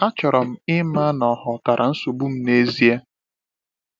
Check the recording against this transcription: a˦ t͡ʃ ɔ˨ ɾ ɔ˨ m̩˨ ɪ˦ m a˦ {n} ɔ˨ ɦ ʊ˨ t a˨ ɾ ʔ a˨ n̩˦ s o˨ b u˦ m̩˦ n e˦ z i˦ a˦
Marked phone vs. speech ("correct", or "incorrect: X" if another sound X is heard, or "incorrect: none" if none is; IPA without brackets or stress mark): correct